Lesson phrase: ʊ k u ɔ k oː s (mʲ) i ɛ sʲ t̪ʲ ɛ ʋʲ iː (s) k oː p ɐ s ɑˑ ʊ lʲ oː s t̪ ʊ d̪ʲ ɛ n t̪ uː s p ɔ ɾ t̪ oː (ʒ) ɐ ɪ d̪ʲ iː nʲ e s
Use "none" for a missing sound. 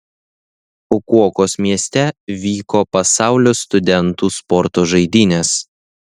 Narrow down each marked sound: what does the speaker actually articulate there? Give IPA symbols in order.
mʲ, none, ʒ

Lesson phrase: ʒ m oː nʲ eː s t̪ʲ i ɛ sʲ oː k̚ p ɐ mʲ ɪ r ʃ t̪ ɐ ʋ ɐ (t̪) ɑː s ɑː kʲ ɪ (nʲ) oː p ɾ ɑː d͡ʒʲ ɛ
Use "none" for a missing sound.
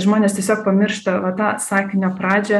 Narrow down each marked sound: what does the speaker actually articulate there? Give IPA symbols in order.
t̪, nʲ

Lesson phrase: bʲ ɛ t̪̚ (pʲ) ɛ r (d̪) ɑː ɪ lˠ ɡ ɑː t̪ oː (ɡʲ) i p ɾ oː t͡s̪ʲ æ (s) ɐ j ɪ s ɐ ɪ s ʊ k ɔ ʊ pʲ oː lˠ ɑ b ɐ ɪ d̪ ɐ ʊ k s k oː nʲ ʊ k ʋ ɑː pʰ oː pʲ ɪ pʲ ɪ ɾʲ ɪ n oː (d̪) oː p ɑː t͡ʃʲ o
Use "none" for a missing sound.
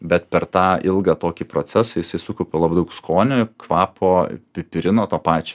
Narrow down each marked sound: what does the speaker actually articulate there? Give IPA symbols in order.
pʲ, t̪, kʲ, s, t̪

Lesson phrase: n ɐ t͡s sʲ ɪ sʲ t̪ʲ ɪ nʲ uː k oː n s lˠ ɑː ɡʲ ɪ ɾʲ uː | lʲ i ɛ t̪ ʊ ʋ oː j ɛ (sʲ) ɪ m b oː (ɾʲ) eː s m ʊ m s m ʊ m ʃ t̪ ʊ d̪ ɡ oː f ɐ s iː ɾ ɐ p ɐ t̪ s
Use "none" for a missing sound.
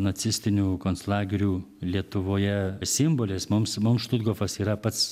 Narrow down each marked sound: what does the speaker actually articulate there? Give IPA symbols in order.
sʲ, lʲ

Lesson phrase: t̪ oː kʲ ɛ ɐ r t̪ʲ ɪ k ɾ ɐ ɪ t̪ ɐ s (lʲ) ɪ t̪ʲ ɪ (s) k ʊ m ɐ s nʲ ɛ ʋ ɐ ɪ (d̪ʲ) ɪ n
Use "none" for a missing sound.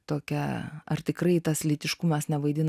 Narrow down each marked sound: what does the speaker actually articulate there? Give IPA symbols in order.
lʲ, ʃ, d̪ʲ

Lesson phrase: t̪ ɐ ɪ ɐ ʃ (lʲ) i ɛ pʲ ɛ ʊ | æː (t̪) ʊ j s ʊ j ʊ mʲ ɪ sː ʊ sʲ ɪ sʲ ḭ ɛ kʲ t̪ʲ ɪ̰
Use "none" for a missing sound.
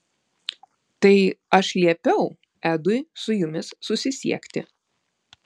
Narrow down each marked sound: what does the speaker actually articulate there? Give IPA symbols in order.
lʲ, d̪

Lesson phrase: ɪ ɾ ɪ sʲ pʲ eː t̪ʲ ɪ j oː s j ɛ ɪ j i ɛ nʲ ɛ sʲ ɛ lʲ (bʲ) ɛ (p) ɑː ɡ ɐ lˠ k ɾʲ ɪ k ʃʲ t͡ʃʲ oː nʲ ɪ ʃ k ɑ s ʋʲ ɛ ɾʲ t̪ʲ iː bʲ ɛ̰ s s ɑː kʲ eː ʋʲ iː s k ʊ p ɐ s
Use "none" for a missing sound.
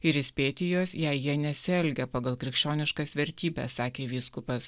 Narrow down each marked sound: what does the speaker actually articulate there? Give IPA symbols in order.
ɡʲ, p

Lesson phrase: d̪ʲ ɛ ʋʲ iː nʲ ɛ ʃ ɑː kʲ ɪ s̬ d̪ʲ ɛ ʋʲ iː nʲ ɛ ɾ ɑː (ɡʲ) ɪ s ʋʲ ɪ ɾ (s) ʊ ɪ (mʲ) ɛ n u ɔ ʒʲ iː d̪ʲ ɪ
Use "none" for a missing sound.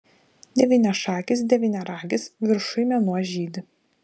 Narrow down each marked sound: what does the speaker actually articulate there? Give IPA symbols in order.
ɡʲ, ʃ, mʲ

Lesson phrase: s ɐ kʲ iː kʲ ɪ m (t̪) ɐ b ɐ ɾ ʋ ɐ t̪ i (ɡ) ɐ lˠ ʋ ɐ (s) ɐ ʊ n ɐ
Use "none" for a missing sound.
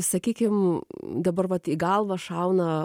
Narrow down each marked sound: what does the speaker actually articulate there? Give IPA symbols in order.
d̪, ɡ, ʃ

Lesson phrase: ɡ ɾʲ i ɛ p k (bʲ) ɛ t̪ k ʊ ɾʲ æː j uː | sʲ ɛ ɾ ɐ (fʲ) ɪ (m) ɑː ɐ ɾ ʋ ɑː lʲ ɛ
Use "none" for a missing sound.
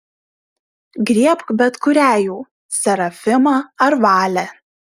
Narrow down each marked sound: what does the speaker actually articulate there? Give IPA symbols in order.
bʲ, fʲ, m

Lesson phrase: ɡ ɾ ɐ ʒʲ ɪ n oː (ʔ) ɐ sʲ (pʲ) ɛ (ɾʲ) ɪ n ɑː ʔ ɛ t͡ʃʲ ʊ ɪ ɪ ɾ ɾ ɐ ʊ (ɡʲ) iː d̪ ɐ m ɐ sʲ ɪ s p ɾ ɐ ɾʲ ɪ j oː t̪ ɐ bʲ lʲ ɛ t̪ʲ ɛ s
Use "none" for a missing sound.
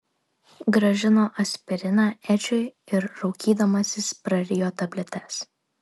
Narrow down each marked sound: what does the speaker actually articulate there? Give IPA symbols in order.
ʔ, pʲ, ɾʲ, kʲ

